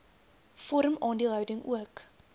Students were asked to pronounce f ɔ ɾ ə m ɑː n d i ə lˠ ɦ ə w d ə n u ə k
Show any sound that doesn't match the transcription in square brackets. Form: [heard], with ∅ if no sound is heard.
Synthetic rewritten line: f ɔ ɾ ə m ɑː n d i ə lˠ ɦ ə w d ə [ŋ] u ə k